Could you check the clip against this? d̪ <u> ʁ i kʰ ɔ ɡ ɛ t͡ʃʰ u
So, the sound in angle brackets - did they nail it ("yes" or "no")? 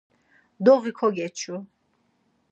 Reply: no